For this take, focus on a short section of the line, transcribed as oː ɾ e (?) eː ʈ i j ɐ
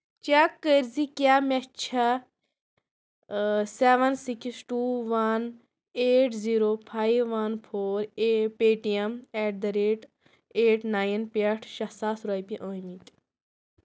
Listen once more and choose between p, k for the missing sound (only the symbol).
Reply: p